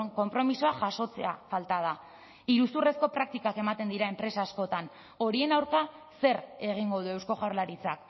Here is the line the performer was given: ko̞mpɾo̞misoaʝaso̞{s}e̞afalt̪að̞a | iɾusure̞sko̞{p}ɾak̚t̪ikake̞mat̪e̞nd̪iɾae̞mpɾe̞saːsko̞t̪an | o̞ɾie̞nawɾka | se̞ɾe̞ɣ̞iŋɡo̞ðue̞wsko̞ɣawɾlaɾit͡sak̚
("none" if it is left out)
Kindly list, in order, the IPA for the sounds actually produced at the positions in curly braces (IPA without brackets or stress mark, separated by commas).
t͡s, p